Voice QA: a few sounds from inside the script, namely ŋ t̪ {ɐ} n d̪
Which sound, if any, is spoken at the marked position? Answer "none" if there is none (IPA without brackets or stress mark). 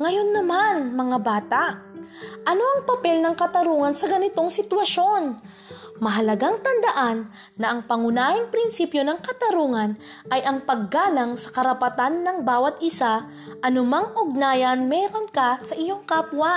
ɐ